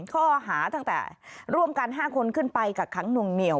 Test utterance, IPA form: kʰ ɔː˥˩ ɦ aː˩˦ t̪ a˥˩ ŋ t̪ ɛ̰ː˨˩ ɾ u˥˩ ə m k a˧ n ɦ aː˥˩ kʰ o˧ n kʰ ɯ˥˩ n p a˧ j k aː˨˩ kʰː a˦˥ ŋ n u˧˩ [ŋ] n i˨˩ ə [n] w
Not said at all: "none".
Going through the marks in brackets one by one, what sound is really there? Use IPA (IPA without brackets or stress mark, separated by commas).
ŋ, none